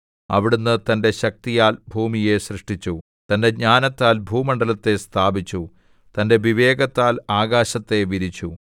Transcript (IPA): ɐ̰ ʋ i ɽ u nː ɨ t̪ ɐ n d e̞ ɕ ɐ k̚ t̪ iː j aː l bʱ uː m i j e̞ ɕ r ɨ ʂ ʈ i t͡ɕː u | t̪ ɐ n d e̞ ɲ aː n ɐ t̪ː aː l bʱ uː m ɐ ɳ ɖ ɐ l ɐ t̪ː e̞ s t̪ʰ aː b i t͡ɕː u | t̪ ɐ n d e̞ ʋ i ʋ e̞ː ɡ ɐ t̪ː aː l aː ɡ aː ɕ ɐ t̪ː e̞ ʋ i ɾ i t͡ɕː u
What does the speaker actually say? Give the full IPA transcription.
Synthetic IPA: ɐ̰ ʋ i ɽ u nː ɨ t̪ ɐ n d e̞ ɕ ɐ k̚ t̪ i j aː l bʱ uː m i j e̞ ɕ r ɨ ʂ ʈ i t͡ɕː u | t̪ ɐ n d e̞ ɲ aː n ɐ t̪ː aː l bʱ uː m ɐ ɳ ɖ ɐ l ɐ t̪ː e̞ s t̪ʰ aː b i t͡ɕː u | t̪ ɐ n d e̞ ʋ i ʋ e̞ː ɡ ɐ t̪ː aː l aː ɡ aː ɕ ɐ t̪ː e̞ ʋ i ɾ i t͡ɕː u

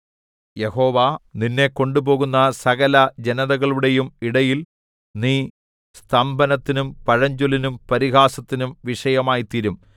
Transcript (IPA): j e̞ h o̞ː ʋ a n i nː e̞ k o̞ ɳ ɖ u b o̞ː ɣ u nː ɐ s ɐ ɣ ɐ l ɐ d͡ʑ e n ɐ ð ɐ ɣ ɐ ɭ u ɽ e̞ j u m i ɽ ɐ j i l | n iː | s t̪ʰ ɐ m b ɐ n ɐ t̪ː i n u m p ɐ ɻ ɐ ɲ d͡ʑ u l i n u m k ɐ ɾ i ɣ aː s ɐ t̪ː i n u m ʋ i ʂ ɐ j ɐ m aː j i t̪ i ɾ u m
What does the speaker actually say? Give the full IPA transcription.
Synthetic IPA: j e̞ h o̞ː ʋ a n i nː e̞ k o̞ ɳ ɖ u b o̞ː ɣ u nː ɐ s ɐ ɣ ɐ l ɐ d͡ʑ e n ɐ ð ɐ ɣ ɐ ɭ u ɽ e̞ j u m i ɽ ɐ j i l | n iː | s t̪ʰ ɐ m b ɐ n ɐ t̪ː i n u m p ɐ ɻ ɐ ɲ d͡ʑ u l i n u m p ɐ ɾ i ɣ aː s ɐ t̪ː i n u m ʋ i ʂ ɐ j ɐ m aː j i t̪ i ɾ u m

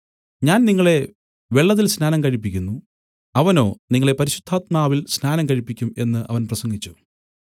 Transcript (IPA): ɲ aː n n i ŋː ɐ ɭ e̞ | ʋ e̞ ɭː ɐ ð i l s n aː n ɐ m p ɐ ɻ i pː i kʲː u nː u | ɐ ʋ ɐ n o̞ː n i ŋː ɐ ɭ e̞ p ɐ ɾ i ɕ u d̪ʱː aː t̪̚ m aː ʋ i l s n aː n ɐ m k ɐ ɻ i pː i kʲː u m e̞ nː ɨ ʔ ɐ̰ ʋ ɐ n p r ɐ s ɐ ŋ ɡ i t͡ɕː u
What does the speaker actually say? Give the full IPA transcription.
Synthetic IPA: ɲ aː n n i ŋː ɐ ɭ e̞ | ʋ e̞ ɭː ɐ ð i l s n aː n ɐ m k ɐ ɻ i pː i kʲː u nː u | ɐ ʋ ɐ n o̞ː n i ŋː ɐ ɭ e̞ p ɐ ɾ i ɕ u d̪ʱː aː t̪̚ m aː ʋ i l s n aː n ɐ m k ɐ ɻ i pː i kʲː u m e̞ nː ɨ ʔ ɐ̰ ʋ ɐ n p r ɐ s ɐ ŋ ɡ i t͡ɕː u

